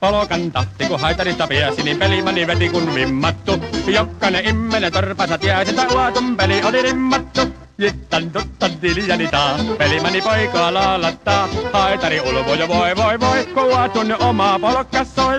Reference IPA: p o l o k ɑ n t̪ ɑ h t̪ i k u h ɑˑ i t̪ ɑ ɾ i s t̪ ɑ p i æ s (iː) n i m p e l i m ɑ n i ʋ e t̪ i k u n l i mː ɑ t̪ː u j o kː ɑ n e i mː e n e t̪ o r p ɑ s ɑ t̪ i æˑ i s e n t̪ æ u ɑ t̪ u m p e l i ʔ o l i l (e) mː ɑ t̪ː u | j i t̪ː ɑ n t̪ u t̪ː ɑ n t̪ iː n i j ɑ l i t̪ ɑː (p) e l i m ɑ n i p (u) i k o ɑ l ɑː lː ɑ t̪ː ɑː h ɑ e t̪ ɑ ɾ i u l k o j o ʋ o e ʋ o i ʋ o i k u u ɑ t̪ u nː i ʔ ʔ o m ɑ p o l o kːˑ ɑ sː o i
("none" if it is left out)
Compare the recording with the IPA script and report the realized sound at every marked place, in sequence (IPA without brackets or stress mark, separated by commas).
i, i, p, o